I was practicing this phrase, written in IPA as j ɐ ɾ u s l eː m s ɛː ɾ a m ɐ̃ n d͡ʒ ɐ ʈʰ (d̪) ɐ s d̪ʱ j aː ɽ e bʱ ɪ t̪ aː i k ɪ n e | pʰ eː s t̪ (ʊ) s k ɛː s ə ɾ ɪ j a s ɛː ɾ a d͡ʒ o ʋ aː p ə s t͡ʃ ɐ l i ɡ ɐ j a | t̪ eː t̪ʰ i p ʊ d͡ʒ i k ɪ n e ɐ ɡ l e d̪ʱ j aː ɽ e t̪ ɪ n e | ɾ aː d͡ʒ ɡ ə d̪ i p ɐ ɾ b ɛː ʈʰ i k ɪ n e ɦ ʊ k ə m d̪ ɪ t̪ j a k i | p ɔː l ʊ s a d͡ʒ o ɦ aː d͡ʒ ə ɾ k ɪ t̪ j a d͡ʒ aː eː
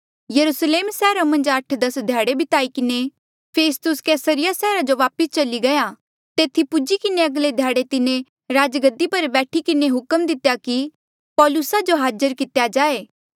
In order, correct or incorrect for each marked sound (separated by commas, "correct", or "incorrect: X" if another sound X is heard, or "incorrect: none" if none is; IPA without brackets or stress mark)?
correct, correct